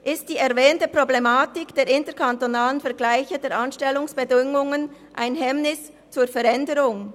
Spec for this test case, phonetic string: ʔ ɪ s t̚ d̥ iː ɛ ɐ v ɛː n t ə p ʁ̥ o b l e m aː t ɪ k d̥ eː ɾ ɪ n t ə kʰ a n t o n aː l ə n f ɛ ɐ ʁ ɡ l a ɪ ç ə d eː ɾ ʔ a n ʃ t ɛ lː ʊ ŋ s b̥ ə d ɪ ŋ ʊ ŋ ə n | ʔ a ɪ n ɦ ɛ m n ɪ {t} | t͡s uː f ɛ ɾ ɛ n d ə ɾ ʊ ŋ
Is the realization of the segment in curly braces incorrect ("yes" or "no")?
yes